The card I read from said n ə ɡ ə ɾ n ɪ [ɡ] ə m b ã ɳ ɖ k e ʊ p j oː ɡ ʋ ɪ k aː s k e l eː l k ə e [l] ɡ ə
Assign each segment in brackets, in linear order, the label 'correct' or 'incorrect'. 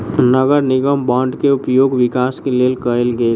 correct, correct

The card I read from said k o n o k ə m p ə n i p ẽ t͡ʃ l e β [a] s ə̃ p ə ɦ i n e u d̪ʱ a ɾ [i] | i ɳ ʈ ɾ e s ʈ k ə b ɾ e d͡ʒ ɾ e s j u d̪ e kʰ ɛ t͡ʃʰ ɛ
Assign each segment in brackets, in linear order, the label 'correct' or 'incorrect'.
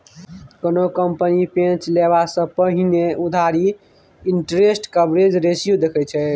correct, correct

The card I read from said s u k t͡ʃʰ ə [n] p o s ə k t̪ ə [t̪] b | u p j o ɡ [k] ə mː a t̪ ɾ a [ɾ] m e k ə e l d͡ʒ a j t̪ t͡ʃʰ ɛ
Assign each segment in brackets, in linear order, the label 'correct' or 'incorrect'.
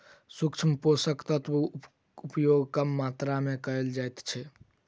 incorrect, correct, correct, incorrect

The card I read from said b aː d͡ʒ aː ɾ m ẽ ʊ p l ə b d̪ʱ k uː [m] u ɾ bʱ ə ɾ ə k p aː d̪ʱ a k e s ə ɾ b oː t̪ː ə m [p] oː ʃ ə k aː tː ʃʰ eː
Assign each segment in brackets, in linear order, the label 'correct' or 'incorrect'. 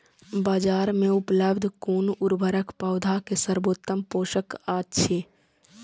incorrect, correct

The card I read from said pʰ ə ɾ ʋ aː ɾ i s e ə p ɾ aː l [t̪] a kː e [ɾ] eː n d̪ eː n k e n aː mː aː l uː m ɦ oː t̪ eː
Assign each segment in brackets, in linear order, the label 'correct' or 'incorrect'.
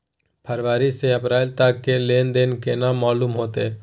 correct, incorrect

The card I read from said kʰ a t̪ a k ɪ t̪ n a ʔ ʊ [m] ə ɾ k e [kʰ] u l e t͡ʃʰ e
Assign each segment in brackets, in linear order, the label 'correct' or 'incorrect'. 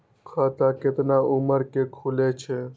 correct, correct

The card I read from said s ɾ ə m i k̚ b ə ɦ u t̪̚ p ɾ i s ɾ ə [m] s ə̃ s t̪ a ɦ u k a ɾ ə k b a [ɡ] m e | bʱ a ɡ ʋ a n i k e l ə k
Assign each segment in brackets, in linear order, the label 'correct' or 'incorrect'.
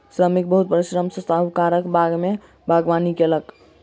correct, correct

